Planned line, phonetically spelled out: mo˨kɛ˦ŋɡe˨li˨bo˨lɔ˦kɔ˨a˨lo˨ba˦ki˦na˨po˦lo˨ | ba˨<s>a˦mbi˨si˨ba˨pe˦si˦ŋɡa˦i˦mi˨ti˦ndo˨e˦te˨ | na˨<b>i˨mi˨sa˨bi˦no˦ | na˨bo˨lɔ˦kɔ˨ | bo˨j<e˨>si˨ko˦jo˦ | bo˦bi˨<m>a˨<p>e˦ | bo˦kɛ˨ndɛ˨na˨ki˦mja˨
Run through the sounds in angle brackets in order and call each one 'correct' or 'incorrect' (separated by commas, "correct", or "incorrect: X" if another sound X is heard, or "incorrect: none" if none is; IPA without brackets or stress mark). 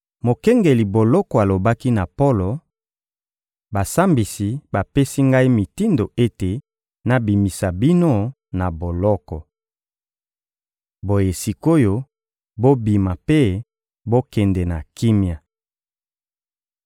correct, correct, correct, correct, correct